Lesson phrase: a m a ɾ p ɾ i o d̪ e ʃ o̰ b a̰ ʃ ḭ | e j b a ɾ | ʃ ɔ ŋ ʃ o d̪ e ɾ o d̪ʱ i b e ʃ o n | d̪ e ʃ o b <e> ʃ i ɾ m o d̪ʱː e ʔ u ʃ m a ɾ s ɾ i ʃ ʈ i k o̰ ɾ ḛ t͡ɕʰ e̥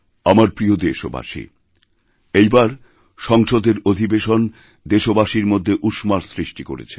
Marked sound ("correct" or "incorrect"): incorrect